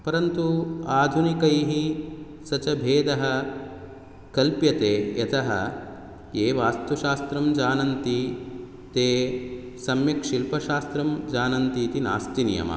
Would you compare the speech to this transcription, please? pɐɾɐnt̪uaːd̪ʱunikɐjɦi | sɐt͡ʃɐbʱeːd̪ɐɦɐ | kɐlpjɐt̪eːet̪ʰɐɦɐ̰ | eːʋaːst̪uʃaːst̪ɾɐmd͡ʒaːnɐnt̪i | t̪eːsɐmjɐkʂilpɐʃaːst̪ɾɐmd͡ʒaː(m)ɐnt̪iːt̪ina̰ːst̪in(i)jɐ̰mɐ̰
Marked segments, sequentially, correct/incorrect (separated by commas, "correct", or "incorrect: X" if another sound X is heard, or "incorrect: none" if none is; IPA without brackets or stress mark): incorrect: n, correct